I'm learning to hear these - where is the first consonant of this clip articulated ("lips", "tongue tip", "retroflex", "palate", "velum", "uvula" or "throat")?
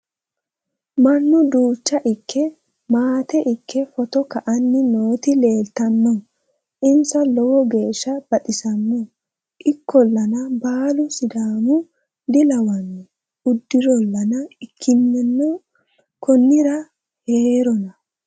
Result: lips